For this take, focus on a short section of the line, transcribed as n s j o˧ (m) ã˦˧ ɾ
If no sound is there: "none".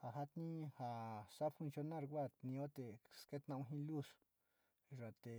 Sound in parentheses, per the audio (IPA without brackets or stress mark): n